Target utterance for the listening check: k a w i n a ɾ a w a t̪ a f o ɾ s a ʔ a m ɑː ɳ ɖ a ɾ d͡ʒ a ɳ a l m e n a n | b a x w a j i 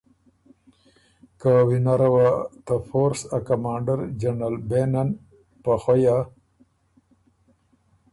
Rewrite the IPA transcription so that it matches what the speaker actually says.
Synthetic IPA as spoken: k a w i n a ɾ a w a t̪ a f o ɾ s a k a m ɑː ɳ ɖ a ɾ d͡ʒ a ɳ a l b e n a n | p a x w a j a